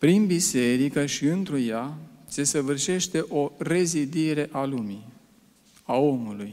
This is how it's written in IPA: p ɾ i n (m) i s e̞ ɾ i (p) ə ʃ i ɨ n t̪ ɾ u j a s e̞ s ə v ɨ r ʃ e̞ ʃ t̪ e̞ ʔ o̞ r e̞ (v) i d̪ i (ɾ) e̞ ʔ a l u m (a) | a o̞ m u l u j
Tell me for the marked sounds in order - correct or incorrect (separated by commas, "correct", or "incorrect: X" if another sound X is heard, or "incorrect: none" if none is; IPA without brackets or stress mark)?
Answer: incorrect: b, incorrect: k, incorrect: z, correct, incorrect: i